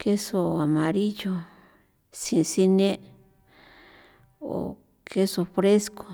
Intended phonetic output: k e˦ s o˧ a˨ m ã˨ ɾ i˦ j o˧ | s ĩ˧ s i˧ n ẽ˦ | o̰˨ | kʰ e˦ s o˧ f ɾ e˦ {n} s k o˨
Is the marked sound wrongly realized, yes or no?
yes